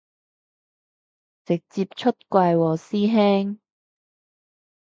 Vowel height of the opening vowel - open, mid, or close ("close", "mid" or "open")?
close